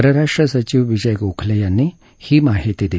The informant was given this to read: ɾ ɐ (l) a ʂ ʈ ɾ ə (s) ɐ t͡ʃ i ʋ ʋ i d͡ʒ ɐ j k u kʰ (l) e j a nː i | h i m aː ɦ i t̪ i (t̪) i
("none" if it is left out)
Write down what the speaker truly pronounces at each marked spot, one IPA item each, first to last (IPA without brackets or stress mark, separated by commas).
ɾ, s, l, d̪